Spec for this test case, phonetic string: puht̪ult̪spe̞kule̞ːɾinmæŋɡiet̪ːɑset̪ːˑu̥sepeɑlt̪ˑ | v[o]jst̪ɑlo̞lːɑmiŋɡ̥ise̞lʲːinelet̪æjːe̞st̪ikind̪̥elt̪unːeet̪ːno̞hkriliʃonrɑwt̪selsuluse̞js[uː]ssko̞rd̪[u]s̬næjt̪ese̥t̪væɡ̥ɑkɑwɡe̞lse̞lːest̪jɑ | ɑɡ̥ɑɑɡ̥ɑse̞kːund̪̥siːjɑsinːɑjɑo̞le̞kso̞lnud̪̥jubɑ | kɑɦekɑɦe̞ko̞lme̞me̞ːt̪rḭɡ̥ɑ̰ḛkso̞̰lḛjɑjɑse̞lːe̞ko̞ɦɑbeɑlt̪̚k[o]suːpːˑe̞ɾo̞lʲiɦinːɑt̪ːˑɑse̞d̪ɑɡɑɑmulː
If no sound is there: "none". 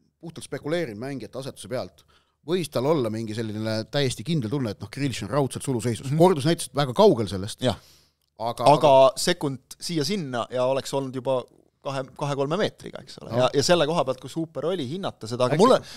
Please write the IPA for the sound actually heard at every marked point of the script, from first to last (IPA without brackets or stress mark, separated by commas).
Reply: ɤ, u, u, u